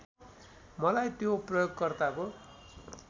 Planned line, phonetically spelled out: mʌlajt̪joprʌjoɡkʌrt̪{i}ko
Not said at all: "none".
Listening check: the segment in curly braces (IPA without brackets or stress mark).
a